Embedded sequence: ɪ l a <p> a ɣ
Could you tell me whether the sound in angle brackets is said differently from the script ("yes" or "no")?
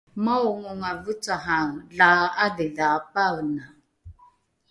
no